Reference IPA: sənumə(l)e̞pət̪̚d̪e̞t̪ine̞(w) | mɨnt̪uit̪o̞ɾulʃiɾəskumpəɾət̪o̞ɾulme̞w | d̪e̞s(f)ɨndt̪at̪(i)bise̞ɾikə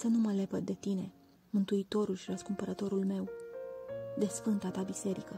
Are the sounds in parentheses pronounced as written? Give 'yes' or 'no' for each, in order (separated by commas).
yes, no, yes, no